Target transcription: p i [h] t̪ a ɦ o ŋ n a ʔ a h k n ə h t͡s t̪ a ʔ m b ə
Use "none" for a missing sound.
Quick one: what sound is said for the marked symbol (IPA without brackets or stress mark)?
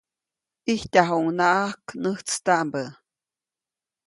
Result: h